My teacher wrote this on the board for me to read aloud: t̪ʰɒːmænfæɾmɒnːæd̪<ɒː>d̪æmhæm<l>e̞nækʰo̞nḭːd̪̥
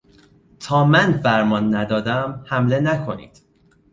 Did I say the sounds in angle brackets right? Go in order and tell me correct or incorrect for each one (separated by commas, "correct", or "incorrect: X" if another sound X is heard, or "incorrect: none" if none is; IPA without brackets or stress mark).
correct, correct